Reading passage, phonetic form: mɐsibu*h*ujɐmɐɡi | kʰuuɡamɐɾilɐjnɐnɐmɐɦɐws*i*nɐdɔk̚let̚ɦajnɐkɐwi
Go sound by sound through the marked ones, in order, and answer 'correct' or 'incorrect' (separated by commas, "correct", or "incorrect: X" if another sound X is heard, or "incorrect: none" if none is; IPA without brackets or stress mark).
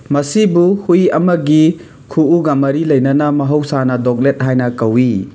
correct, incorrect: a